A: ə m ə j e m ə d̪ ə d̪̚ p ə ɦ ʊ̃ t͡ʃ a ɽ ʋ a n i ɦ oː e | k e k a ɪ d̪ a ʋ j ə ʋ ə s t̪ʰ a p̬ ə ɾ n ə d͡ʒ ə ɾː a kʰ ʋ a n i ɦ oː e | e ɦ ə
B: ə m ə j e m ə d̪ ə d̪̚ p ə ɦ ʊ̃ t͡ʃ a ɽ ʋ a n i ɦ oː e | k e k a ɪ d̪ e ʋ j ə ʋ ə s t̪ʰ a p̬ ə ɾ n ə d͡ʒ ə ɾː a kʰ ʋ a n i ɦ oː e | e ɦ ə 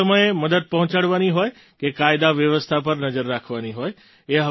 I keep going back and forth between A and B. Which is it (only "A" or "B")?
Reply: A